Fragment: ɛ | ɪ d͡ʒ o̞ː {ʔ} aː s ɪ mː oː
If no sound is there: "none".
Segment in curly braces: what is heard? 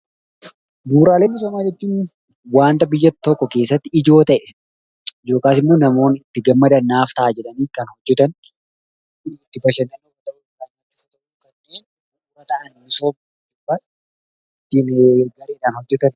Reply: k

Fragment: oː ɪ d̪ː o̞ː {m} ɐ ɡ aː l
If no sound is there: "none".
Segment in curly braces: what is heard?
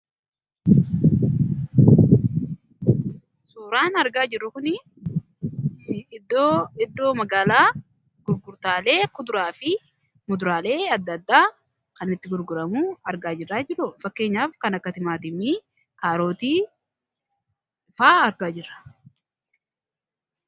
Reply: m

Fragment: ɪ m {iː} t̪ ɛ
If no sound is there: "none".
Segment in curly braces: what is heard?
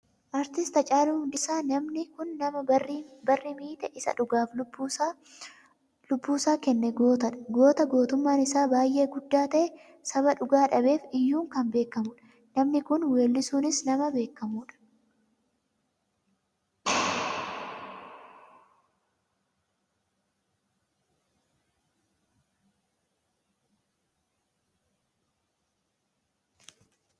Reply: iː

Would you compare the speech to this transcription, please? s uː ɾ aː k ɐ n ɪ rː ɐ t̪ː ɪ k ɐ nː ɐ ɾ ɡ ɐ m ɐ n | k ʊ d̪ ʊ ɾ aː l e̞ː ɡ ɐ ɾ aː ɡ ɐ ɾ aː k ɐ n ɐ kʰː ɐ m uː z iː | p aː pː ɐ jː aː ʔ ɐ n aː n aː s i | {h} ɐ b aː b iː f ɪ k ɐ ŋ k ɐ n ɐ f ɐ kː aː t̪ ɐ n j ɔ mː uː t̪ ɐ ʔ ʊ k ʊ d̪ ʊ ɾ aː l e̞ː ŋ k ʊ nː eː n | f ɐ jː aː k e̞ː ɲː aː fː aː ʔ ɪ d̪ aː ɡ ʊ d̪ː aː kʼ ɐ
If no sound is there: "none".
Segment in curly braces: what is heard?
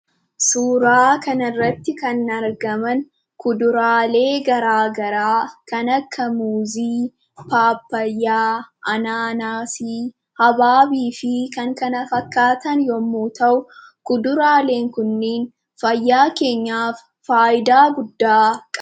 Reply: h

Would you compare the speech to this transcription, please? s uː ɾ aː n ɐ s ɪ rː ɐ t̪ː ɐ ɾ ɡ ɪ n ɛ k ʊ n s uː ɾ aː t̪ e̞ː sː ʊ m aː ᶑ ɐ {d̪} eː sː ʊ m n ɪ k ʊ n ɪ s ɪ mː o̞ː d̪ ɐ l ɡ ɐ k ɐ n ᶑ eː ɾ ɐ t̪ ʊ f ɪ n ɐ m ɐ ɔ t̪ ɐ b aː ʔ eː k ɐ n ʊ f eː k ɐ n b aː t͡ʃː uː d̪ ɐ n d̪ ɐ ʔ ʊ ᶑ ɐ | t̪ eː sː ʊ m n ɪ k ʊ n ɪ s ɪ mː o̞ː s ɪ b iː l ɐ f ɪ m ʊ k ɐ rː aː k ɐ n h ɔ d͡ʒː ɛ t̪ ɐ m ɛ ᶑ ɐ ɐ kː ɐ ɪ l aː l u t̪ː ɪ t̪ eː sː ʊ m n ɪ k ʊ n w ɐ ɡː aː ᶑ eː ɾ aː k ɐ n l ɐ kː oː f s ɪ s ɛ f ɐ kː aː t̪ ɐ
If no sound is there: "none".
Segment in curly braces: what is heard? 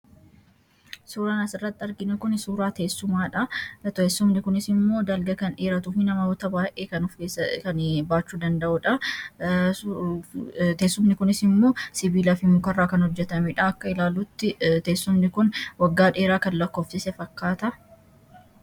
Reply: t̪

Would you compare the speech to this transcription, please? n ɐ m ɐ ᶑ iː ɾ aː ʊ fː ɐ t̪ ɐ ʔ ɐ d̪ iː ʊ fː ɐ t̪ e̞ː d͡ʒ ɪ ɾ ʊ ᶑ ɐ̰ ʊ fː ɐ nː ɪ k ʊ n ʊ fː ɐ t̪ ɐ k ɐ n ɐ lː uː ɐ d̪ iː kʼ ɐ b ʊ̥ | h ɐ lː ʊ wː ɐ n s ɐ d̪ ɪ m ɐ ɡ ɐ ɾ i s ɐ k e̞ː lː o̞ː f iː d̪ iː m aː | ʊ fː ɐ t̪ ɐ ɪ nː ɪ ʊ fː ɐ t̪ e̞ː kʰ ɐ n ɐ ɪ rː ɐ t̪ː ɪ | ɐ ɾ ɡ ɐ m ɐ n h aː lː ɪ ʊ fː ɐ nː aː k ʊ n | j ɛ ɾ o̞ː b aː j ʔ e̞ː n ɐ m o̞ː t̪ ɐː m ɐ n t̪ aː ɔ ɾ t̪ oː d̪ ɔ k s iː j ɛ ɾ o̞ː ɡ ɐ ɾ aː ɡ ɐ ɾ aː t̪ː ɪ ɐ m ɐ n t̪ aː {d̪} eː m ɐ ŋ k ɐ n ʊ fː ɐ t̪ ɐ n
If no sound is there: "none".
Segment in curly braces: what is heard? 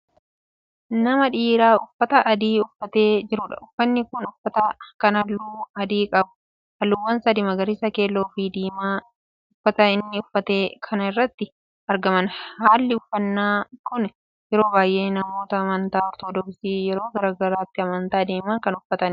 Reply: d̪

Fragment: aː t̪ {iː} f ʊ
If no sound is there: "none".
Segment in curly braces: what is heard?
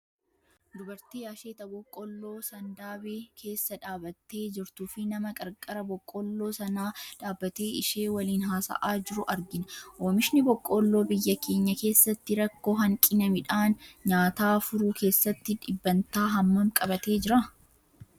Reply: aː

